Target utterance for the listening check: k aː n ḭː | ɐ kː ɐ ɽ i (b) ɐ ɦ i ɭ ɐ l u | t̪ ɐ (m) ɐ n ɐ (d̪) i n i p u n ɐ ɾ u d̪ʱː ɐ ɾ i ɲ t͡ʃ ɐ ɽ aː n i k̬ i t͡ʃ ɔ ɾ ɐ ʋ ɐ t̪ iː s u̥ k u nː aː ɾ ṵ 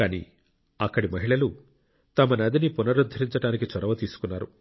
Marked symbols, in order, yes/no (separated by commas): no, yes, yes